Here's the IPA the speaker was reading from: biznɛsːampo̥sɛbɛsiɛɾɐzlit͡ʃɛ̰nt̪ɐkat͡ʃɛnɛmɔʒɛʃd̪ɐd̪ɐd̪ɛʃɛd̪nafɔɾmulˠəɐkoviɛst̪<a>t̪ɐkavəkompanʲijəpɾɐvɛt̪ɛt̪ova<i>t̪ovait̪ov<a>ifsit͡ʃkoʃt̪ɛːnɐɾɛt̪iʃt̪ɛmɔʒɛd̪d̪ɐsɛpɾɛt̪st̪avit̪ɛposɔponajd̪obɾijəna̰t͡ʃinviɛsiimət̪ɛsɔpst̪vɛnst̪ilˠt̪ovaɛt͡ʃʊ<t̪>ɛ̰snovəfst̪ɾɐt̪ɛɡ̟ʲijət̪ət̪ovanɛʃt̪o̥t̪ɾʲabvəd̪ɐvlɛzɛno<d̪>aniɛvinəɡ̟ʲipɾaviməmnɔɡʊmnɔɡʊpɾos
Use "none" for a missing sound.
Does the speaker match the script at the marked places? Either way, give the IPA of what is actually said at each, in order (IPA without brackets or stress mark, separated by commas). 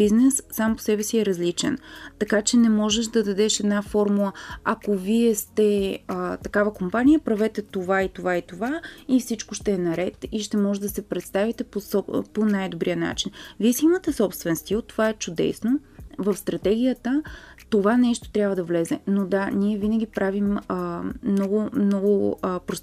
ɛ, i, a, d̪, d̪